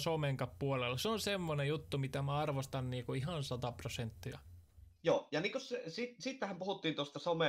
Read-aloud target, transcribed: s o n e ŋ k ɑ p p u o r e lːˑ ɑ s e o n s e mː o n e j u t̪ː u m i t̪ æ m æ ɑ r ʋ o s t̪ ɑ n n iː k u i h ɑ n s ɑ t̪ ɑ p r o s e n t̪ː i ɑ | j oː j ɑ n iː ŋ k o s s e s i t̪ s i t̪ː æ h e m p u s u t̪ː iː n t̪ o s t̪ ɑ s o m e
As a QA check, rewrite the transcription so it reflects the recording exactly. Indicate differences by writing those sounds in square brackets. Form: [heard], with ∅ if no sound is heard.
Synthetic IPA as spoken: s o [m] e ŋ k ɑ p p u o [l] e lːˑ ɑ s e o n s e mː o n e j u t̪ː u m i t̪ æ m æ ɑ r ʋ o s t̪ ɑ n n iː k u i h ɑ n s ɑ t̪ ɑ p r o s e n t̪ː i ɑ | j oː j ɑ n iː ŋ k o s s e s i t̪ s i t̪ː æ h [æ] m p u [h] u t̪ː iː n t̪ o s t̪ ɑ s o m e